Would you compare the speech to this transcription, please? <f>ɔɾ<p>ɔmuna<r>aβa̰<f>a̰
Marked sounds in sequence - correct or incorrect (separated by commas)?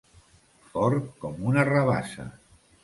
correct, incorrect, correct, incorrect